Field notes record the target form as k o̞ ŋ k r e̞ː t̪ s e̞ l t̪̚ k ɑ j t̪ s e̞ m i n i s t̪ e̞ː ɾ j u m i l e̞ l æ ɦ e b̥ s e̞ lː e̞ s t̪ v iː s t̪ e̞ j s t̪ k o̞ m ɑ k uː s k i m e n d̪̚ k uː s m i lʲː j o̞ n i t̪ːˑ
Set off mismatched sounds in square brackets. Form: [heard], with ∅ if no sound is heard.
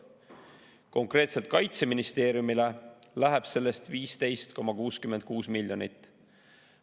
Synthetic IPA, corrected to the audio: k o̞ ŋ k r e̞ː t̪ s e̞ l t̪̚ k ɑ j t̪ s e̞ m i n i s t̪ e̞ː ɾ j u m i l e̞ l æ ɦ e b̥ s e̞ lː e̞ s t̪ v iː s t̪ e̞ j s t̪ k o̞ m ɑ k uː s k [y] m e n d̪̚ k uː s m i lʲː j o̞ n i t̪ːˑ